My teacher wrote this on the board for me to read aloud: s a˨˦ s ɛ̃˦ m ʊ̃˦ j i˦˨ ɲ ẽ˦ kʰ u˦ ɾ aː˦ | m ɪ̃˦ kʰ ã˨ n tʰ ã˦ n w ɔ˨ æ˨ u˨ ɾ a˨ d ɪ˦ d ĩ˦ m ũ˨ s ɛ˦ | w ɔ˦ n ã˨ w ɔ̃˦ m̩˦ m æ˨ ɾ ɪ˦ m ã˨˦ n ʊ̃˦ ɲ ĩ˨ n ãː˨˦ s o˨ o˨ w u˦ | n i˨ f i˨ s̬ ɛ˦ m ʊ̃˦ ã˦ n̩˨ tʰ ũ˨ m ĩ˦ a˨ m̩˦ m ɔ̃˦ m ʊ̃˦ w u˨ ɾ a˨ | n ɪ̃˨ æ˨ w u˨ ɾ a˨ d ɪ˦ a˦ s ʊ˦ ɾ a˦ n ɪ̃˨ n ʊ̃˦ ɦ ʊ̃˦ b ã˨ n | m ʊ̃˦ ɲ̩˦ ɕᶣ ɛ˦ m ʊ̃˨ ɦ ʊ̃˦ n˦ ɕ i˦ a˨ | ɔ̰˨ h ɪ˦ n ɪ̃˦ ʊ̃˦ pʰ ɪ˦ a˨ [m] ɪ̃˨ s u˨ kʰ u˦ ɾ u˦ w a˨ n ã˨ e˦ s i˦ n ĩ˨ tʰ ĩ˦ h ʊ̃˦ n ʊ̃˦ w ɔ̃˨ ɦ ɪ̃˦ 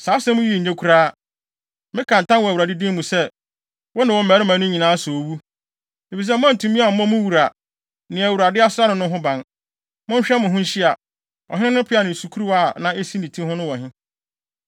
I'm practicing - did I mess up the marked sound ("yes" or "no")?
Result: yes